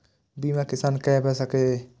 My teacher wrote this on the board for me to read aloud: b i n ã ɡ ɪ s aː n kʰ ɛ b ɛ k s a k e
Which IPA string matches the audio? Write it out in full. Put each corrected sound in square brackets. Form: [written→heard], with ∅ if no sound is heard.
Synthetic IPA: b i [n→m] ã [ɡ→k] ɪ s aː n [kʰ→k] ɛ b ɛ [k→∅] s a k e